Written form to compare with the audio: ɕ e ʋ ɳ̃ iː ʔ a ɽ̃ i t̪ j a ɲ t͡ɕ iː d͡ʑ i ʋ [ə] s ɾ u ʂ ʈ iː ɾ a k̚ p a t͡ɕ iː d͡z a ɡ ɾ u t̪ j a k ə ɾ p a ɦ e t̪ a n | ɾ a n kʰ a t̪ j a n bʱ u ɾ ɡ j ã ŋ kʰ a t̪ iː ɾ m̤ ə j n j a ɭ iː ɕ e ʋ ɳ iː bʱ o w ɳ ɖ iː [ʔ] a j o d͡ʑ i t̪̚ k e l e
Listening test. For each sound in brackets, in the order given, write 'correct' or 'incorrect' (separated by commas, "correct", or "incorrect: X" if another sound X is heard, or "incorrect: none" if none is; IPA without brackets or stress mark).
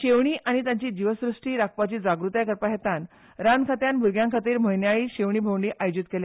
correct, correct